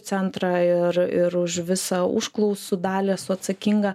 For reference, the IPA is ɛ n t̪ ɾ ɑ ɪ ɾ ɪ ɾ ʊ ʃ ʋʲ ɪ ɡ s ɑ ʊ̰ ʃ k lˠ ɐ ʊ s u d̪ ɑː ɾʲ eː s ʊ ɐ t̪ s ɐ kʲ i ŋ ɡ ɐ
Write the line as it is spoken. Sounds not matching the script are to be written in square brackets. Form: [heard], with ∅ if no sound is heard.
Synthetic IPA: ɛ n t̪ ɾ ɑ ɪ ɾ ɪ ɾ ʊ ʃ ʋʲ ɪ [∅] s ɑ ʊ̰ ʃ k lˠ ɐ ʊ s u d̪ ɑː [lʲ] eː s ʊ ɐ t̪ s ɐ kʲ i ŋ ɡ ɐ